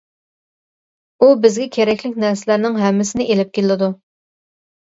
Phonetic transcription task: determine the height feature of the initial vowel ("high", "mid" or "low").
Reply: high